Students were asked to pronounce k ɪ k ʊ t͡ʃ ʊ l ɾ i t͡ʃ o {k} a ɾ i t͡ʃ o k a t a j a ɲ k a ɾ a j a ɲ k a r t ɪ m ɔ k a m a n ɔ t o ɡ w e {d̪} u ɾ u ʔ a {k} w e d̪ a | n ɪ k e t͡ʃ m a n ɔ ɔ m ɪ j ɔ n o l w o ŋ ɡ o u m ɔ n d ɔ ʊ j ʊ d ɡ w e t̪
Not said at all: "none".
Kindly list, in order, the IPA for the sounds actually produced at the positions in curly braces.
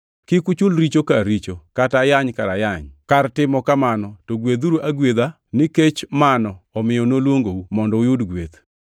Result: k, d̪, ɡ

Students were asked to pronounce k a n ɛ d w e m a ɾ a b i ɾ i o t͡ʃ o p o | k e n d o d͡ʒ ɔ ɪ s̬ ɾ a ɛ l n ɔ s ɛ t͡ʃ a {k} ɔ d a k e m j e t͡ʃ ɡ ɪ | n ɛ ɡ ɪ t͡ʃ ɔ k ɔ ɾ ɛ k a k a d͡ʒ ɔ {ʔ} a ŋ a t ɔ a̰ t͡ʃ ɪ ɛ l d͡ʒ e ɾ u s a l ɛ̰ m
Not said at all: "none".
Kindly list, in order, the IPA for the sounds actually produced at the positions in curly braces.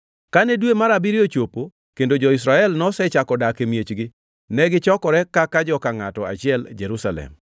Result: k, k

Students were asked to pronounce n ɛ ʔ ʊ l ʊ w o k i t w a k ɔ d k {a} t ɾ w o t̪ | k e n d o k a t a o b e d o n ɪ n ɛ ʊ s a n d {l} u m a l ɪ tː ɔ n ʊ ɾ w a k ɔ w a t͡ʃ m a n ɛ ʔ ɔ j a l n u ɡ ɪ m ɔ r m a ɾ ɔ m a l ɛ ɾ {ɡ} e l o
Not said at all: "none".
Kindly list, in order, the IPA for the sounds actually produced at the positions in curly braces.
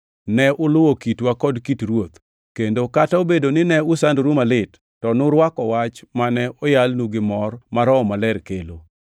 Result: i, ɾ, k

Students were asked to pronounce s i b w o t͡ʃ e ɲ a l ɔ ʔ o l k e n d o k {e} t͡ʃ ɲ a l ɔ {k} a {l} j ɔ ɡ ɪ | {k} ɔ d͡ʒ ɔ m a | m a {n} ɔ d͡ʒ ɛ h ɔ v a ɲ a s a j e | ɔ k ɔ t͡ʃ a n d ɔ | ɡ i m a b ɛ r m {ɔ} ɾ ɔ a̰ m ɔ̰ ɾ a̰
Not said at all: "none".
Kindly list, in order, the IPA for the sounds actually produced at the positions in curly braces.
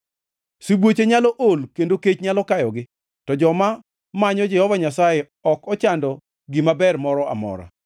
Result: e, k, none, t, ɲ, ɔ

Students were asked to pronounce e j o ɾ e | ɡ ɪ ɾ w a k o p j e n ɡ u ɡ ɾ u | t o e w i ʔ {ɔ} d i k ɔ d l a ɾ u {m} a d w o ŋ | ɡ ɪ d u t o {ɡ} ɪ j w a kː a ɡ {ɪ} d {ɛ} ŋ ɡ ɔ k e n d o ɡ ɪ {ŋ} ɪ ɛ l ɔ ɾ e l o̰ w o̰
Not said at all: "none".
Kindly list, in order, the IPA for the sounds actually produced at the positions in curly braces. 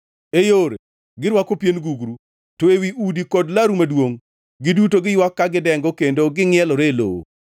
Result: u, m, ɡ, ɪ, ɛ, ŋ

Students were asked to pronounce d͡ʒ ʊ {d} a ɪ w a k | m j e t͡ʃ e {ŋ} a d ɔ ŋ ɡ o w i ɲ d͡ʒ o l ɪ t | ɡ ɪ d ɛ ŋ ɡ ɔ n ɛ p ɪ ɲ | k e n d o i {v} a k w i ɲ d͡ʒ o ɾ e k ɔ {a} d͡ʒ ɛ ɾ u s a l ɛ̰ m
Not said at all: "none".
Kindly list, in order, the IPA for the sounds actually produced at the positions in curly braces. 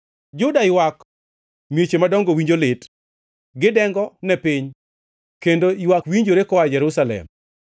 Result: d, m, w, a

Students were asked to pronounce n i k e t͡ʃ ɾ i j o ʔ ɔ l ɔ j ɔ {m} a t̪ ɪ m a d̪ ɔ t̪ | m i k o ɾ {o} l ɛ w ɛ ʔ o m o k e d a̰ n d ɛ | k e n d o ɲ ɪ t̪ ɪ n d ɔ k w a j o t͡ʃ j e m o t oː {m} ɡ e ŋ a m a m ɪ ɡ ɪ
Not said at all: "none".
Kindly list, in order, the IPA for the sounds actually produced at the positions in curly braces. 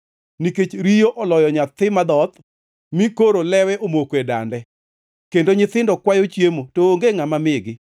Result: ɲ, o, ŋ

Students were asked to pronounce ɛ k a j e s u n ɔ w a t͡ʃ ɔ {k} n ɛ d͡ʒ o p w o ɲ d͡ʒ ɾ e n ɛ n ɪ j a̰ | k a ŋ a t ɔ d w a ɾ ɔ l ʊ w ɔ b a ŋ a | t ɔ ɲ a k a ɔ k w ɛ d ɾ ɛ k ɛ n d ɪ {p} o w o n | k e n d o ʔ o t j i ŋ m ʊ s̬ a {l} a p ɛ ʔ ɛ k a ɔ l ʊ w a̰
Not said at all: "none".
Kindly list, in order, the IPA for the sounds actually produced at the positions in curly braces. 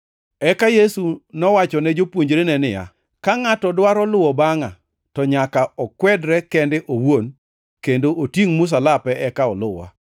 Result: none, ʔ, l

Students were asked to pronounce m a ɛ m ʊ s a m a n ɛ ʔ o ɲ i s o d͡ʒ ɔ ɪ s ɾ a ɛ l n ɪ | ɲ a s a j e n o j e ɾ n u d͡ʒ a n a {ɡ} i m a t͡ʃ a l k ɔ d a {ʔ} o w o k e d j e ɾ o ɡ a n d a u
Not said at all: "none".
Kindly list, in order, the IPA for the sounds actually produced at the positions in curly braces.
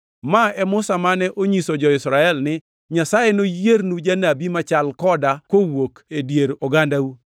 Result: b, k

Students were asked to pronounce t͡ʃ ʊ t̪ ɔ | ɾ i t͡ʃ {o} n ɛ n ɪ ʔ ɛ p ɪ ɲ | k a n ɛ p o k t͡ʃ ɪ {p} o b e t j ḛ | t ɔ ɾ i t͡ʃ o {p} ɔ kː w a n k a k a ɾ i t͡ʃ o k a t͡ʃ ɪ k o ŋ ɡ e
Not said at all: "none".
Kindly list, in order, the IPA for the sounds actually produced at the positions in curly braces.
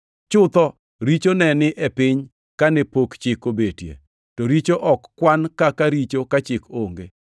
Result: o, k, ʔ

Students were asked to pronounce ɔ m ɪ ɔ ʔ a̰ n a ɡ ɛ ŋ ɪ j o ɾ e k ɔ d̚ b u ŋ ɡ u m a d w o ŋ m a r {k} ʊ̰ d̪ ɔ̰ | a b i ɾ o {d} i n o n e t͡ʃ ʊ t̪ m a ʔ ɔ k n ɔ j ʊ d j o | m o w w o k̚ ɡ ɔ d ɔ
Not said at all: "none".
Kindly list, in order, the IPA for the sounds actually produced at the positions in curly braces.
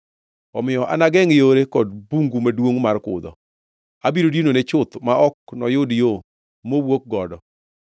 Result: k, d

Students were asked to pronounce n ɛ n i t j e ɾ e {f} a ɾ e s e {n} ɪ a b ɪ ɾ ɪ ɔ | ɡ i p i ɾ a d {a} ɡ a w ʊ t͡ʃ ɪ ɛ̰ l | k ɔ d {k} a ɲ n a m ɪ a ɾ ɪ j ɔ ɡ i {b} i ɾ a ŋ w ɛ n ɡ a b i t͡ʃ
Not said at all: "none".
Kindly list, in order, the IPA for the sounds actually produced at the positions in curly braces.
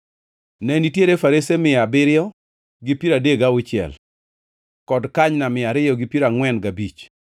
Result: f, m, e, k, p

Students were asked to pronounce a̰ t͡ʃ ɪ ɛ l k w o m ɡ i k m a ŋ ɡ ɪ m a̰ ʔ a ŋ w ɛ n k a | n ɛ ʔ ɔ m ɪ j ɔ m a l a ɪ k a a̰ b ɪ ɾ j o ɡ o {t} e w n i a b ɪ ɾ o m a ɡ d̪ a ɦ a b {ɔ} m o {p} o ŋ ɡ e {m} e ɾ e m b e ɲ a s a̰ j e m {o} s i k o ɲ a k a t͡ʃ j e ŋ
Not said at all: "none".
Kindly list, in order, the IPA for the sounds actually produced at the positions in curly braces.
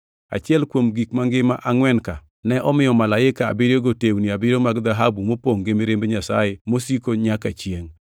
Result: t, u, p, m, o

